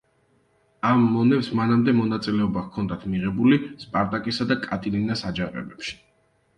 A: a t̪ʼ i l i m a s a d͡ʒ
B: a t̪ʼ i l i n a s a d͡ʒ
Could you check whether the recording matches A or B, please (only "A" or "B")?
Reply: B